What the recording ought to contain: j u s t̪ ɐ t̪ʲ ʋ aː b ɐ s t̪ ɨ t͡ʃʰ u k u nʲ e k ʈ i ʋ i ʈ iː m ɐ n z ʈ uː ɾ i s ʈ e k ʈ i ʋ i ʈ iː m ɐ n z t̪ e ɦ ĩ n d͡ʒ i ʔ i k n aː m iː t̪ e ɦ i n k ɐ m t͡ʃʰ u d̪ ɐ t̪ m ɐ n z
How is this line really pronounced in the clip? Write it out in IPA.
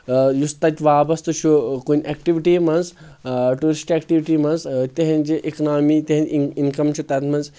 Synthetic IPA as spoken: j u s t̪ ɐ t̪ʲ ʋ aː b ɐ s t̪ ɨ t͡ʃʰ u k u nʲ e k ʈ i ʋ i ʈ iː m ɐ n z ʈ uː ɾ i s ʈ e k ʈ i ʋ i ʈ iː m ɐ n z t̪ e ɦ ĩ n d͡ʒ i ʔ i k n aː m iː t̪ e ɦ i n k ɐ m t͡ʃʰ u t̪ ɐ t̪ m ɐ n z